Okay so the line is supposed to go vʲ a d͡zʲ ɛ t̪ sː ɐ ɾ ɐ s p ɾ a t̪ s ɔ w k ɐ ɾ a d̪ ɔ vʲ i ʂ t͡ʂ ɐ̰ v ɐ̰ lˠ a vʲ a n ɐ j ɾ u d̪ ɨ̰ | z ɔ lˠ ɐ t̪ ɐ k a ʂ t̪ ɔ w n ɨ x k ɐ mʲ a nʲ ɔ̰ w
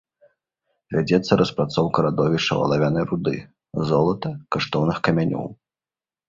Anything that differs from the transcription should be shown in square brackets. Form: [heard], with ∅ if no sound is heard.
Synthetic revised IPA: vʲ a d͡zʲ ɛ t̪ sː ɐ ɾ ɐ s p ɾ a t̪ s ɔ w k ɐ ɾ a d̪ ɔ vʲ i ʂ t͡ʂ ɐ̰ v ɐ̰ lˠ a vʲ a n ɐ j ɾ u d̪ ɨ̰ | z ɔ lˠ ɐ t̪ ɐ k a ʂ t̪ ɔ w n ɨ x k ɐ mʲ a nʲ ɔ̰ w

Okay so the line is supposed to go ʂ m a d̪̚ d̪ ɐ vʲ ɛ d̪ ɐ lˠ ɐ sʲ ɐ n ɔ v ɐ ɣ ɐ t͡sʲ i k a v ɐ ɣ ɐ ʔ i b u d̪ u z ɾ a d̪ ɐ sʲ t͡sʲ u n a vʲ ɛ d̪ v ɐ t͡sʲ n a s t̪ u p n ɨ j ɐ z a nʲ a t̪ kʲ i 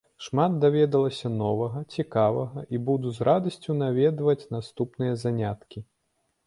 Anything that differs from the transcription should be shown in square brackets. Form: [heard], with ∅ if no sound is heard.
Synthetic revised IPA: ʂ m a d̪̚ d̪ [a] vʲ ɛ d̪ ɐ lˠ ɐ sʲ ɐ n ɔ v ɐ ɣ ɐ t͡sʲ i k a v ɐ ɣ ɐ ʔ i b u d̪ u z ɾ a d̪ ɐ sʲ t͡sʲ u n a vʲ ɛ d̪ v ɐ t͡sʲ n a s t̪ u p n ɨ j ɐ z a nʲ a t̪ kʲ i

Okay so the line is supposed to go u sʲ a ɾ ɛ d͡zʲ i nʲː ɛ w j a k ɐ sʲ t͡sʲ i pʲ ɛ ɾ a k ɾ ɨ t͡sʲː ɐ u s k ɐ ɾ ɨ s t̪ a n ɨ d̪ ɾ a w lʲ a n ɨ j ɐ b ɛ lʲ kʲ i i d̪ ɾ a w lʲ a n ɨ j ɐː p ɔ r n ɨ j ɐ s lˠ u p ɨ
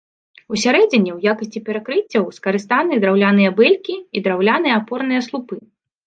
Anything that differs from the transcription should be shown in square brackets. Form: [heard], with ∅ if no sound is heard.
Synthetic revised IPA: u sʲ a ɾ ɛ d͡zʲ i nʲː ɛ w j a k ɐ sʲ t͡sʲ i pʲ ɛ ɾ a k ɾ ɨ t͡sʲː ɐ [w] s k ɐ ɾ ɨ s t̪ a n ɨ d̪ ɾ a w lʲ a n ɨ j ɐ b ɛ lʲ kʲ i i d̪ ɾ a w lʲ a n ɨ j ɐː p ɔ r n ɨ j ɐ s lˠ u p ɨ

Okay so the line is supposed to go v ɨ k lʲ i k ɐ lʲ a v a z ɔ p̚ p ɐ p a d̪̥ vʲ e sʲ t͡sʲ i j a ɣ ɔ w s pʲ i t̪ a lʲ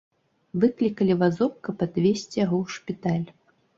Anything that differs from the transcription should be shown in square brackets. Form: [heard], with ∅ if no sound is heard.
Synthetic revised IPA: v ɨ k lʲ i k ɐ lʲ [i] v a z ɔ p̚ [k] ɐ p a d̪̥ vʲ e sʲ t͡sʲ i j a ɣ ɔ w [ʂ] pʲ i t̪ a lʲ

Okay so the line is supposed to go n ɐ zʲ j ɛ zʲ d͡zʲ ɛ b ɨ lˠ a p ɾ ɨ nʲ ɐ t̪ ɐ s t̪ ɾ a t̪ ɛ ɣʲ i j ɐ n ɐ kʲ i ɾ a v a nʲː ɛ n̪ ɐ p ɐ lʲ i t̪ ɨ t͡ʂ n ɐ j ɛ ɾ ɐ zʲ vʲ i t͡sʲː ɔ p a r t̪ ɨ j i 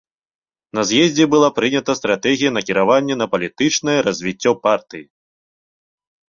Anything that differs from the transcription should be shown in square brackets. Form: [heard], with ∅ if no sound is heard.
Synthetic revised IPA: n ɐ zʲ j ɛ zʲ d͡zʲ ɛ b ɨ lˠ a p ɾ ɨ nʲ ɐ t̪ ɐ s t̪ ɾ a t̪ ɛ ɣʲ i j ɐ n ɐ kʲ i ɾ a v a nʲː ɛ n̪ ɐ p ɐ lʲ i t̪ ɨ t͡ʂ n ɐ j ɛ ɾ ɐ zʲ vʲ i t͡sʲː ɔ p a r t̪ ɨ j i

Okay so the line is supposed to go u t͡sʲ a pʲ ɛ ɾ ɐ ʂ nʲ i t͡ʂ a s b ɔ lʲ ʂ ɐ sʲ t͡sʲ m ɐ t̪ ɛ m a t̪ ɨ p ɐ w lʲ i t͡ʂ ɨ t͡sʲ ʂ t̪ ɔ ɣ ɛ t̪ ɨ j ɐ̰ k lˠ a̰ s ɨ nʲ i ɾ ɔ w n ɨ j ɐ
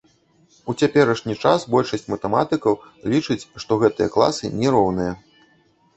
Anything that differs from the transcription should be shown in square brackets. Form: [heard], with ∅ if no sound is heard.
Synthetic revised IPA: u t͡sʲ a pʲ ɛ ɾ ɐ ʂ nʲ i t͡ʂ a s b ɔ lʲ ʂ ɐ sʲ t͡sʲ m ɐ t̪ ɛ m a t̪ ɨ [k] ɐ w lʲ i t͡ʂ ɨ t͡sʲ ʂ t̪ ɔ ɣ ɛ t̪ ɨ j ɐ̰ k lˠ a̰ s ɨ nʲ [ɛ] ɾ ɔ w n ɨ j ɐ

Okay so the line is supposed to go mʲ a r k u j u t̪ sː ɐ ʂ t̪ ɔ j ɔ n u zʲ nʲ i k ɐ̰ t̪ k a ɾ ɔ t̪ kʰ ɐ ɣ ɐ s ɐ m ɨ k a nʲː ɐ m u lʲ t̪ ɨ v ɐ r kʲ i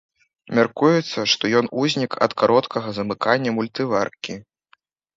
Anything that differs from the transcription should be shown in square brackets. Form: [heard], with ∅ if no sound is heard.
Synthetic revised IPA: mʲ a r k u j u t̪ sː ɐ ʂ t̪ ɔ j ɔ n u zʲ nʲ i k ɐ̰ t̪ k a ɾ ɔ t̪ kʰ ɐ ɣ ɐ [z] ɐ m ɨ k a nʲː ɐ m u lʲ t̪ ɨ v [a] r kʲ i

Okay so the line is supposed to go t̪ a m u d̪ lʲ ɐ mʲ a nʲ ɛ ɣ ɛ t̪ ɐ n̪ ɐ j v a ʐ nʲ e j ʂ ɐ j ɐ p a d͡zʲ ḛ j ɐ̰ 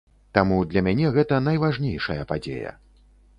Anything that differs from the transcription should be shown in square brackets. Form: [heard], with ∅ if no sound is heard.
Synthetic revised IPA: t̪ a m u d̪ lʲ ɐ mʲ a nʲ ɛ ɣ ɛ t̪ ɐ n̪ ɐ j v a ʐ nʲ e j ʂ ɐ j ɐ p a d͡zʲ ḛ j ɐ̰

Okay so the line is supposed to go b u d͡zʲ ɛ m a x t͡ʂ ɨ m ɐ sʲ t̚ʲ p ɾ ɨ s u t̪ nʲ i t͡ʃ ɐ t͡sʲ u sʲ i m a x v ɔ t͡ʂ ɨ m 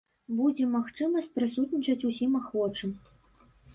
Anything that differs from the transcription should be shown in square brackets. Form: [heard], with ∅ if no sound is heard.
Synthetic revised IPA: b u d͡zʲ ɛ m a x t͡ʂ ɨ m ɐ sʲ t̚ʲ p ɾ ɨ s u t̪ nʲ i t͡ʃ ɐ t͡sʲ u sʲ i m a x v ɔ t͡ʂ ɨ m

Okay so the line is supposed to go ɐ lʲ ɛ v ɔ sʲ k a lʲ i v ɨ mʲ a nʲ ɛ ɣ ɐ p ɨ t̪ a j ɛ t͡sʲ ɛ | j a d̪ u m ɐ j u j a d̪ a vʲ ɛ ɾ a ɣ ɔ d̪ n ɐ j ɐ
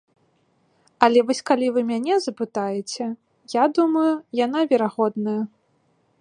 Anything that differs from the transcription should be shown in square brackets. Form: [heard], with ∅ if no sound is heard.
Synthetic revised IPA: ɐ lʲ ɛ v ɔ sʲ k a lʲ i v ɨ mʲ a nʲ ɛ [z] ɐ p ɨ t̪ a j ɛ t͡sʲ ɛ | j a d̪ u m ɐ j u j a [n̪] a vʲ ɛ ɾ a ɣ ɔ d̪ n ɐ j ɐ

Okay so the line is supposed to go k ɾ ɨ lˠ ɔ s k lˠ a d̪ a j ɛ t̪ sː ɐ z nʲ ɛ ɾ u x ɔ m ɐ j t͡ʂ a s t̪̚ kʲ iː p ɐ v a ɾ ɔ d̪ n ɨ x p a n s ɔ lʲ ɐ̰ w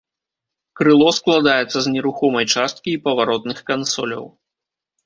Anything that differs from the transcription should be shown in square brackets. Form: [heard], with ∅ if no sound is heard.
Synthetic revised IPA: k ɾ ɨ lˠ ɔ s k lˠ a d̪ a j ɛ t̪ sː ɐ z nʲ ɛ ɾ u x ɔ m ɐ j t͡ʂ a s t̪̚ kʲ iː p ɐ v a ɾ ɔ [t̪] n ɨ x [k] a n s ɔ lʲ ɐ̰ w

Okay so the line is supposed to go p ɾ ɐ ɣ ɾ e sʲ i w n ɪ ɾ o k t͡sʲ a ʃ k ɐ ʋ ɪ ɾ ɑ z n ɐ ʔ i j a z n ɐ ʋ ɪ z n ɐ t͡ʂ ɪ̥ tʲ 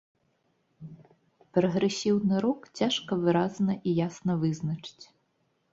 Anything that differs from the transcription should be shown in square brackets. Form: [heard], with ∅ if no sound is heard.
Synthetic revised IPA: p ɾ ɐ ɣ ɾ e sʲ i w n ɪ ɾ [ɔ] k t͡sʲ a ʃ k ɐ ʋ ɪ ɾ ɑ z n ɐ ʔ i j a [s] n ɐ ʋ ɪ z n ɐ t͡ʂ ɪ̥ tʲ

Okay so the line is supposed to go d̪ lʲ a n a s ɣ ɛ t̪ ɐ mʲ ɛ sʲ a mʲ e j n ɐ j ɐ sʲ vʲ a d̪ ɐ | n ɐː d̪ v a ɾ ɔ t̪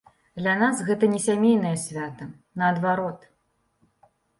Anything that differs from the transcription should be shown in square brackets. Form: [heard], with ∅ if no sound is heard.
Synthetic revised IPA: d̪ lʲ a n a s ɣ ɛ t̪ ɐ [nʲ] ɛ sʲ a mʲ e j n ɐ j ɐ sʲ vʲ a [t̪] ɐ | n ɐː d̪ v a ɾ ɔ t̪

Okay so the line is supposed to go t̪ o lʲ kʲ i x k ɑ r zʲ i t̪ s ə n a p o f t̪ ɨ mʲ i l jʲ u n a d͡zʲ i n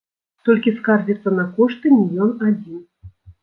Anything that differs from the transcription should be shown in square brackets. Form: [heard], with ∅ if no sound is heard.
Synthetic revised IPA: t̪ o lʲ kʲ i [s] k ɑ r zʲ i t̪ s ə n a [k] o [ʂ] t̪ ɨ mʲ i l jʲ [o] n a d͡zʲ i n

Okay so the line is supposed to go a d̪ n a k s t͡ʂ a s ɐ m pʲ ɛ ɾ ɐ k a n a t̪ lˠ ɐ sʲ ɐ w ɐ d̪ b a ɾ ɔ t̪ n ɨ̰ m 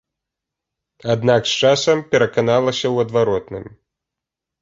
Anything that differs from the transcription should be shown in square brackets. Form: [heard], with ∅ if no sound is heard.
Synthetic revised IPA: a d̪ n a k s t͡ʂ a s ɐ m pʲ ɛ ɾ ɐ k a n a [∅] lˠ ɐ sʲ ɐ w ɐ d̪ [v] a ɾ ɔ t̪ n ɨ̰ m

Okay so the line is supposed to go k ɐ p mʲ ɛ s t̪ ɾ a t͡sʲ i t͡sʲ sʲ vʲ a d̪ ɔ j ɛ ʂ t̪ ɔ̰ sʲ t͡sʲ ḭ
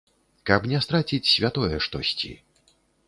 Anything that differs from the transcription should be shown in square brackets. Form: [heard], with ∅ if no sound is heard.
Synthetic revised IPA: k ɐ p [nʲ] ɛ s t̪ ɾ a t͡sʲ i t͡sʲ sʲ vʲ a [t̪] ɔ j ɛ ʂ t̪ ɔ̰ sʲ t͡sʲ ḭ

